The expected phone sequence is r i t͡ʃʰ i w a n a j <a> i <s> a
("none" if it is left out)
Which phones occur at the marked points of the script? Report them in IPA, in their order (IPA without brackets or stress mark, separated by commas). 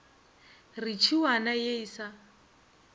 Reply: e, s